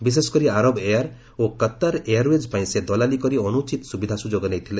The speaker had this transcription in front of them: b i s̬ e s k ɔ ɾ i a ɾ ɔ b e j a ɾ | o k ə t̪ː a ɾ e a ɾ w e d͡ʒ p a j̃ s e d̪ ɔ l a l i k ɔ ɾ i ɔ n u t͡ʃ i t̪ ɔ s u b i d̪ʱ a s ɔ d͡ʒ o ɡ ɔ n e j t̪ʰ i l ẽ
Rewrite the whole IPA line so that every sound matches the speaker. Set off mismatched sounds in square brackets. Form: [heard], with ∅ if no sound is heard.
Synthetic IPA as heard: b i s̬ e s k ɔ ɾ i a ɾ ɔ b e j a ɾ | o k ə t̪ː a ɾ e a ɾ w e d͡ʒ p a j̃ s e d̪ ɔ l a l i k ɔ ɾ i ɔ n u t͡ʃ i t̪ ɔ s u b i d̪ʱ a s [u] d͡ʒ o ɡ ɔ n e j t̪ʰ i l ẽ